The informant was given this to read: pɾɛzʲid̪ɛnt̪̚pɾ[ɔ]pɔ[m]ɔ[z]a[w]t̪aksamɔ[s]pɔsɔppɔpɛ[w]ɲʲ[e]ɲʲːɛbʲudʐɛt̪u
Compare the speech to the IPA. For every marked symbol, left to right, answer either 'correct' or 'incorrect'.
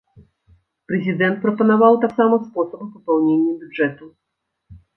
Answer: correct, incorrect: n, incorrect: v, correct, correct, correct, correct

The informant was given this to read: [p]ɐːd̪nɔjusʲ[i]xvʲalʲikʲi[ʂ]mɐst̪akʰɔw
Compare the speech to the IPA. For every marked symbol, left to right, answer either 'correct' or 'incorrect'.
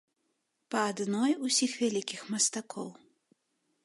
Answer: correct, correct, incorrect: x

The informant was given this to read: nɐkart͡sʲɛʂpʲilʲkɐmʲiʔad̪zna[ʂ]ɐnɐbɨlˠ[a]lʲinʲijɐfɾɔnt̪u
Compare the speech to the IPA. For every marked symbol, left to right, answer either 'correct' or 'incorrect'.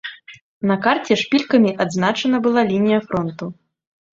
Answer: incorrect: t͡ʂ, correct

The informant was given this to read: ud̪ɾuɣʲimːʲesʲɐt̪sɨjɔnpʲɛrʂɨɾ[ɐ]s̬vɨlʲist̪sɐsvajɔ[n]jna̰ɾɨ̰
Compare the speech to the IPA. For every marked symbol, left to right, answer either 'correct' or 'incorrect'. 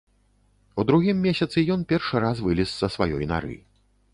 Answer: incorrect: a, incorrect: none

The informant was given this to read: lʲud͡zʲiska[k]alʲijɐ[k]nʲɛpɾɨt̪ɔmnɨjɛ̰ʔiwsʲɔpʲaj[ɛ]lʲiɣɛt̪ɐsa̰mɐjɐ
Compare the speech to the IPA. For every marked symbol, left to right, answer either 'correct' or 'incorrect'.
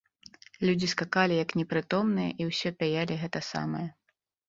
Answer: correct, correct, incorrect: a

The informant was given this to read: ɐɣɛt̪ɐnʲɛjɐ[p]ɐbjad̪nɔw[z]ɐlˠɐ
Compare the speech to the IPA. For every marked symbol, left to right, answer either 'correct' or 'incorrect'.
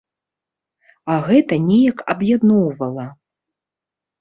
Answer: incorrect: k, incorrect: v

